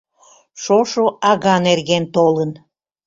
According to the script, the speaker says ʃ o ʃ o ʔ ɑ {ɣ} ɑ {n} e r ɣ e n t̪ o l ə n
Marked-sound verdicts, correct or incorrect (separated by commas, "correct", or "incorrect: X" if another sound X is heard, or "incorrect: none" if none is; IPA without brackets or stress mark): correct, correct